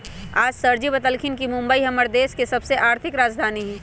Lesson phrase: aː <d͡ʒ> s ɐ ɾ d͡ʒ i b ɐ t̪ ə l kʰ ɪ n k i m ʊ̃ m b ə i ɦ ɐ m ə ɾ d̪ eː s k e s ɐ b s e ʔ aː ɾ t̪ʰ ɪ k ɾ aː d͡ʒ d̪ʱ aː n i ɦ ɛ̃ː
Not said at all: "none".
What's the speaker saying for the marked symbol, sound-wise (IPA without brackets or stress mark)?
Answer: d͡ʒ